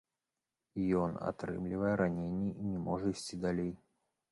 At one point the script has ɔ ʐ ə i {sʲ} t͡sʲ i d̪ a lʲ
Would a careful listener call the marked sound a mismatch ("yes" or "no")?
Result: no